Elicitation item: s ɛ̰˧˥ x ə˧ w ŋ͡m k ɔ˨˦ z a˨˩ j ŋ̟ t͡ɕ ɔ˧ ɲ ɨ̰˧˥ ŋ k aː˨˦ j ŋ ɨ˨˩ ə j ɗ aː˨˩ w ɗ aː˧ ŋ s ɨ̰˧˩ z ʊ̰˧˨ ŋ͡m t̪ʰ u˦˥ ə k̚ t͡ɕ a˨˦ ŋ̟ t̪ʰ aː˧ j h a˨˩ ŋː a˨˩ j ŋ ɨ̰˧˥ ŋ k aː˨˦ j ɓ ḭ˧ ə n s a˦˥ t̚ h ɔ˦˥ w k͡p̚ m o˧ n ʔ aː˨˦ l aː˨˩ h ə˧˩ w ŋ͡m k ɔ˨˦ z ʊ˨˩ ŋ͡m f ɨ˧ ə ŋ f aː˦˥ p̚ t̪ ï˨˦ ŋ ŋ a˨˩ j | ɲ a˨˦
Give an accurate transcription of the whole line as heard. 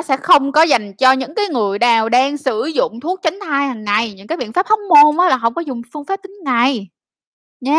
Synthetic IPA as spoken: s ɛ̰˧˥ x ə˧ w ŋ͡m k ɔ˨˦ z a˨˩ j ŋ̟ t͡ɕ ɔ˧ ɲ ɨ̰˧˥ ŋ k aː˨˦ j ŋ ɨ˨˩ ə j ɗ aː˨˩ w ɗ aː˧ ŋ s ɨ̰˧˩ z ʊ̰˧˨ ŋ͡m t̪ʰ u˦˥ ə k̚ t͡ɕ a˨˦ ŋ̟ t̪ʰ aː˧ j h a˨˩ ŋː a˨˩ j ɲ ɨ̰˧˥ ŋ k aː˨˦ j ɓ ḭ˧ ə n f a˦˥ p̚ h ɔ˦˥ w k͡p̚ m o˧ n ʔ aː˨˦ l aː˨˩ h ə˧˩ w ŋ͡m k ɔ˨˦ z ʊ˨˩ ŋ͡m f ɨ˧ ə ŋ f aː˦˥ p̚ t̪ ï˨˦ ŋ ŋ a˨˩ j | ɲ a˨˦